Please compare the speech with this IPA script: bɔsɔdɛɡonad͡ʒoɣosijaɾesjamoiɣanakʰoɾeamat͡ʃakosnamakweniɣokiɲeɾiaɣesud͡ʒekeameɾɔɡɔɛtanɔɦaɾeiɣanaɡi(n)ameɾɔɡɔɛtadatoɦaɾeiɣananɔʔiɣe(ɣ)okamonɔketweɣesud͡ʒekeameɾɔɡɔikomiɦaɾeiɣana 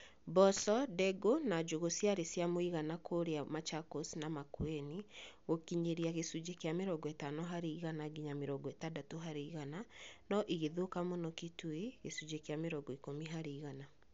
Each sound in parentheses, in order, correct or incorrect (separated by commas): incorrect, incorrect